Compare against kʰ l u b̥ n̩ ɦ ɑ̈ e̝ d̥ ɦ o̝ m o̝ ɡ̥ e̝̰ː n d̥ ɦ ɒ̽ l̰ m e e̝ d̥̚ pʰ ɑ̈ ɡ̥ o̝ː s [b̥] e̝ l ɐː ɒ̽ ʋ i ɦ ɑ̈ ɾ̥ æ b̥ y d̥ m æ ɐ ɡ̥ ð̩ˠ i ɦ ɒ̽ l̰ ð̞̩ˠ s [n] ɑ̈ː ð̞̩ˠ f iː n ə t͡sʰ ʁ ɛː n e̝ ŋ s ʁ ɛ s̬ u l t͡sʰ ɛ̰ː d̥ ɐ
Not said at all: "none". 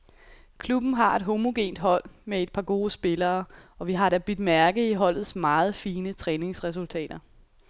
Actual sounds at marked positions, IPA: b̥, m

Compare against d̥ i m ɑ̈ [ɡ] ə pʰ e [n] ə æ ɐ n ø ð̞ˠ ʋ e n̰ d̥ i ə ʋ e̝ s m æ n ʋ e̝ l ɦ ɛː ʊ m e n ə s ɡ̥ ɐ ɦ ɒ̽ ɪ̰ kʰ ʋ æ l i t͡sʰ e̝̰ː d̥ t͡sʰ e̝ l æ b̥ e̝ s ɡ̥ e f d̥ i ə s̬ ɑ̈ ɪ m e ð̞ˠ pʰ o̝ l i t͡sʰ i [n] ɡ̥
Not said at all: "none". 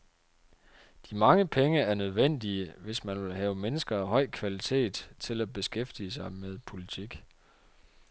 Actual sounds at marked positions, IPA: ŋ, ŋ, none

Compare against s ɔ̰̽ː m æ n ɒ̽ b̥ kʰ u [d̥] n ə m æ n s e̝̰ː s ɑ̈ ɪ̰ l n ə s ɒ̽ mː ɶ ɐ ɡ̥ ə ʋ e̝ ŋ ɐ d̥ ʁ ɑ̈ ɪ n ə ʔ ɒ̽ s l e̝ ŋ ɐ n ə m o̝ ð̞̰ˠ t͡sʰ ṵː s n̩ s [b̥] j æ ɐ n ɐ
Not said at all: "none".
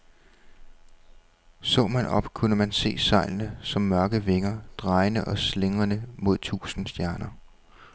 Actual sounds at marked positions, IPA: none, d̥

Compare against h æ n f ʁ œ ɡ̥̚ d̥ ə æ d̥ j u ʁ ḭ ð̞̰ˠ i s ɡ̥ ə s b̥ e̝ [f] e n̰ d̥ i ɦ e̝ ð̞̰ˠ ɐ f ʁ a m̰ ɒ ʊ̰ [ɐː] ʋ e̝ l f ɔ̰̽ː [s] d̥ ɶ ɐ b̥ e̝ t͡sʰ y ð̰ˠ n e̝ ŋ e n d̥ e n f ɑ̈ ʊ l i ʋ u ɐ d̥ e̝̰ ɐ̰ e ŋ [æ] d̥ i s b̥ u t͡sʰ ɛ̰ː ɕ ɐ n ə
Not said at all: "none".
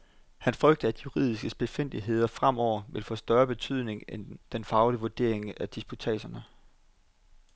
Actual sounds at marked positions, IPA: f, ɐ, s, æ

